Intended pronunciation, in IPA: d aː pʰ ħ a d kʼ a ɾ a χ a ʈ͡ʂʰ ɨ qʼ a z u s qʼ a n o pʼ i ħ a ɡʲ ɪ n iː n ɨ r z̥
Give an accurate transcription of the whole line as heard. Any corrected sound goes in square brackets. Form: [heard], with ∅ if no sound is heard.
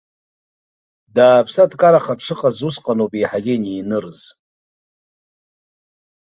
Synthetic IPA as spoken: d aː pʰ [s] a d kʼ a ɾ a χ a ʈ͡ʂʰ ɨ qʼ a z u s qʼ a n o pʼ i ħ a ɡʲ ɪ n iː n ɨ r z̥